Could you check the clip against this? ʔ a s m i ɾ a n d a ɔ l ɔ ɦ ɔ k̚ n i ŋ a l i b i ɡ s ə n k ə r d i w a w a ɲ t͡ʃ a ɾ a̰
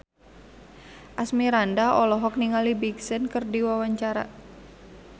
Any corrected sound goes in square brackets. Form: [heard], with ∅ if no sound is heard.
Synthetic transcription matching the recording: ʔ a s m i ɾ a n d a ɔ l ɔ ɦ ɔ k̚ n i ŋ a l i b i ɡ s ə n k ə r d i w a w a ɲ t͡ʃ a ɾ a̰